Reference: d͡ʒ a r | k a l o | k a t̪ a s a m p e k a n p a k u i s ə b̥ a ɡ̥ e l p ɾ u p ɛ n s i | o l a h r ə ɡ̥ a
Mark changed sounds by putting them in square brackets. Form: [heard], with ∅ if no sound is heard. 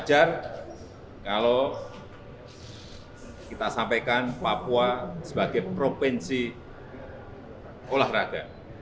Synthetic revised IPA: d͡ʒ a r | k a l o | k [i] t̪ a s a m p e k a n p a [p] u [a] s ə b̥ a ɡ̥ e [∅] p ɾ [o] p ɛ n s i | o l a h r [a] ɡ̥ a